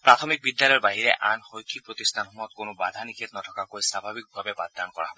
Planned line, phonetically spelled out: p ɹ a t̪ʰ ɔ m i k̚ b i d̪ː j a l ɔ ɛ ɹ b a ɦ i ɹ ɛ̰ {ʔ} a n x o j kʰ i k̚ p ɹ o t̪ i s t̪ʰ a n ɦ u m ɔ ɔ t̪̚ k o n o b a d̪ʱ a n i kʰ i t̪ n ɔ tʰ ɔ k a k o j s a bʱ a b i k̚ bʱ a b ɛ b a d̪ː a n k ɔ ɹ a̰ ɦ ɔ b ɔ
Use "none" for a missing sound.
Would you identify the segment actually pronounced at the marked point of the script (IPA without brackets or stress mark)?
ʔ